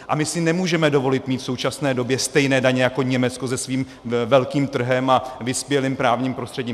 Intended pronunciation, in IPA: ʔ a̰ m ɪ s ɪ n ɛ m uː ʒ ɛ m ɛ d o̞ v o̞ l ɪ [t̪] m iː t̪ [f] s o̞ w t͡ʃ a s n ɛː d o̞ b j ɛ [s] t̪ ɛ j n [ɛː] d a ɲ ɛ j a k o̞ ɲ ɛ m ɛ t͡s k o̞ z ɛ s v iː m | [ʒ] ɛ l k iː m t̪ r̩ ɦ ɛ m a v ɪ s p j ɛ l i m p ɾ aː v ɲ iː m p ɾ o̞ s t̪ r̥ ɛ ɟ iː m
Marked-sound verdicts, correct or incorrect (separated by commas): correct, correct, correct, correct, incorrect